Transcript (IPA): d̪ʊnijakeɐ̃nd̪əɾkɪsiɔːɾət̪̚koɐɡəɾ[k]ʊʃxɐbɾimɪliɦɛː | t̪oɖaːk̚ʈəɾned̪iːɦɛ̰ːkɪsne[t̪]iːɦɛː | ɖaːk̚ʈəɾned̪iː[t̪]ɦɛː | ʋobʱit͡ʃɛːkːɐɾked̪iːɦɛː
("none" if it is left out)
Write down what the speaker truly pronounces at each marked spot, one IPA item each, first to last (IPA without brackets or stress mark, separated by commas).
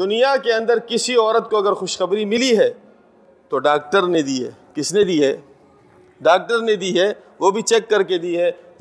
x, d̪, none